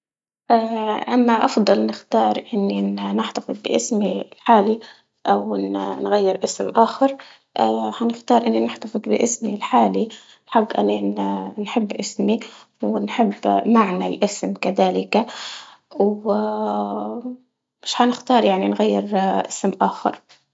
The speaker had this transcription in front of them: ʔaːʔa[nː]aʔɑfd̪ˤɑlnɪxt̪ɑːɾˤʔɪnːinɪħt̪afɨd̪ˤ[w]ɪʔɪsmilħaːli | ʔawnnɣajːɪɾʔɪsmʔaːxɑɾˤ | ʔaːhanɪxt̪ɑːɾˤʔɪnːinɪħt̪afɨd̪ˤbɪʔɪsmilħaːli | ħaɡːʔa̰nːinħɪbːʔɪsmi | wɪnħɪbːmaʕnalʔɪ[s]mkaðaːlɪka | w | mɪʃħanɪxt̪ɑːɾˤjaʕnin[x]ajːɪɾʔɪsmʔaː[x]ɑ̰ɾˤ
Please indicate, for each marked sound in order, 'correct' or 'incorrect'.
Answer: incorrect, incorrect, correct, incorrect, correct

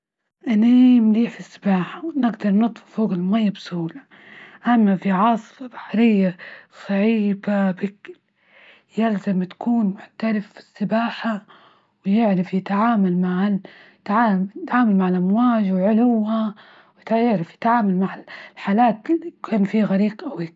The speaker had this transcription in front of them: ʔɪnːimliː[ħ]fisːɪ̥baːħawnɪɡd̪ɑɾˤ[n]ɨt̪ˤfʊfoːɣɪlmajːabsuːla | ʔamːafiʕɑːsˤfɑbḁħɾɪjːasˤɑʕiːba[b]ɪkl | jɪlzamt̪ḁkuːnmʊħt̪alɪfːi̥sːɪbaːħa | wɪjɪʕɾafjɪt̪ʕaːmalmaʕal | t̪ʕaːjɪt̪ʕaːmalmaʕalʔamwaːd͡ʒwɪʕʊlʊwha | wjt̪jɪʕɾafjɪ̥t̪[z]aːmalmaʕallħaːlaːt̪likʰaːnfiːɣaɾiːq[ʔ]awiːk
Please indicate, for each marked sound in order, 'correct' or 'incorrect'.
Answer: correct, correct, correct, incorrect, correct

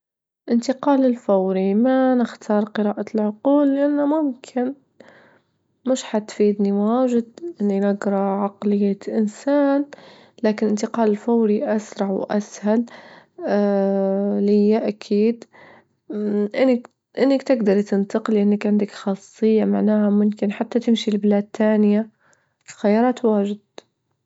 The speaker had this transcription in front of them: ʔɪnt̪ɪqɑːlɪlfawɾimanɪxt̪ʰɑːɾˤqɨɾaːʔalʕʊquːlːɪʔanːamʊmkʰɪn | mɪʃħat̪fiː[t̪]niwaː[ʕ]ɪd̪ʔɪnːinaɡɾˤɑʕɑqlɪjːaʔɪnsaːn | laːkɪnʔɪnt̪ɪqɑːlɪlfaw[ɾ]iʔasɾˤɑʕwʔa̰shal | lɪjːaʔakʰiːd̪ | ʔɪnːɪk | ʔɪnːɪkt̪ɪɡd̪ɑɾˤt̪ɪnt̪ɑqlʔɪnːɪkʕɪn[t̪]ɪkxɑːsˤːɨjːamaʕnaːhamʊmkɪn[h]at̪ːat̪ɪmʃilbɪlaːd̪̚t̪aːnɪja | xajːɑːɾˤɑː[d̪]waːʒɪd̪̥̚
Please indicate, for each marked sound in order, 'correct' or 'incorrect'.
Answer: incorrect, incorrect, correct, incorrect, incorrect, incorrect

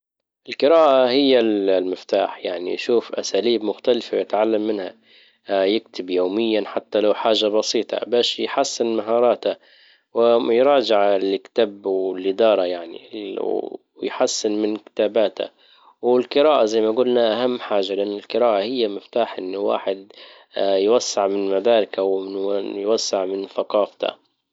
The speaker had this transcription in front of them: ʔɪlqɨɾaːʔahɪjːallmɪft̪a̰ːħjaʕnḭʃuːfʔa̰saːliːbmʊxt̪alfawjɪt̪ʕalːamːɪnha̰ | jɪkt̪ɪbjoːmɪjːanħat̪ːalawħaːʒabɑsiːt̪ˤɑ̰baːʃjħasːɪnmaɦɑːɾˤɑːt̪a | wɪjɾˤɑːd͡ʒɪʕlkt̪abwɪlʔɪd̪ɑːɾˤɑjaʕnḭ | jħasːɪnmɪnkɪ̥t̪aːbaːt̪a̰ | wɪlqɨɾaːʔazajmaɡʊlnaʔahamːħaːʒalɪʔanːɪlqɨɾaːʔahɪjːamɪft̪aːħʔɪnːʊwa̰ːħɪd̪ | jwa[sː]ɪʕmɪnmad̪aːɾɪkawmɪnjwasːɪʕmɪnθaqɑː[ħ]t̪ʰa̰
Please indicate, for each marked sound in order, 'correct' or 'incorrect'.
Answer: correct, incorrect

